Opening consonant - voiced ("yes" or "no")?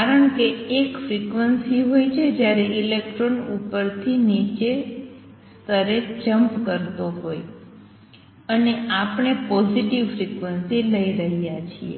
no